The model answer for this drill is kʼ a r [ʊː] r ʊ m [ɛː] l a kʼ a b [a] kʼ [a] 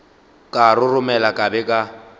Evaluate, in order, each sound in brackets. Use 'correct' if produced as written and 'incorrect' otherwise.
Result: incorrect: ʊ, incorrect: ɛ, incorrect: ɛ, correct

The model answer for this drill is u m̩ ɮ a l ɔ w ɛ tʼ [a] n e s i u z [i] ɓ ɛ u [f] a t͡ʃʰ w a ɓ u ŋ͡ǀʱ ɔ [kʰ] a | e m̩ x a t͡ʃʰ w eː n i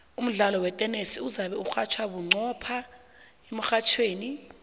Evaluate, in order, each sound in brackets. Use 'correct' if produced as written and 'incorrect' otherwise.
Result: incorrect: ɛ, incorrect: a, incorrect: x, incorrect: pʰ

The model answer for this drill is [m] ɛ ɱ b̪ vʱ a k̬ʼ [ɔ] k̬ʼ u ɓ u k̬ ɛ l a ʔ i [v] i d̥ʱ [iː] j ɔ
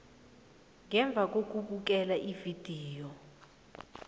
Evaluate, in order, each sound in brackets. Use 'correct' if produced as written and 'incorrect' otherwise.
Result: incorrect: ŋ, incorrect: o, correct, correct

